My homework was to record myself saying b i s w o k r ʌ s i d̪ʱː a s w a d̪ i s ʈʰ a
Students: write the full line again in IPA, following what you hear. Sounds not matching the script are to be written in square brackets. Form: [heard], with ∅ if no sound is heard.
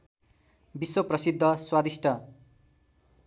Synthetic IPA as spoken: b i s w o [p] r ʌ s i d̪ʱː [ʌ] s w a d̪ i s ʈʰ [ʌ]